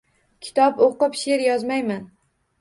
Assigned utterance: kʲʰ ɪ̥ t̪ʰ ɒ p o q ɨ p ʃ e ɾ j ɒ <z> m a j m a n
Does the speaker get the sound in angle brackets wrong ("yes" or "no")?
no